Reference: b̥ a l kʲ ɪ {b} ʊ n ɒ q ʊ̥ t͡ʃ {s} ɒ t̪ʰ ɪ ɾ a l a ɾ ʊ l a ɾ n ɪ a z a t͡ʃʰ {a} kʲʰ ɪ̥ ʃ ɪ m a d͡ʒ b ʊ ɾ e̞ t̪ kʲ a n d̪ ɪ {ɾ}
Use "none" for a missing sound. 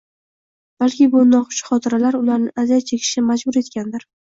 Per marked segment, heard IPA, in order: b, χ, e, ɾ

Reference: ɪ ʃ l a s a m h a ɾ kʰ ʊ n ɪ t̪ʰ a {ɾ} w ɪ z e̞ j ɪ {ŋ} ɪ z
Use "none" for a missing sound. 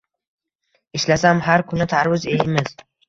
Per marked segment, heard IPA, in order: ɾ, m

